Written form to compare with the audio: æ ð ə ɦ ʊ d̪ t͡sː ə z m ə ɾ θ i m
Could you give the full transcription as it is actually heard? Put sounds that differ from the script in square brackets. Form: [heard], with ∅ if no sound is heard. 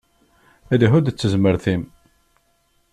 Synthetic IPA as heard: æ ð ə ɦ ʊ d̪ t͡sː ə z m ə ɾ θ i m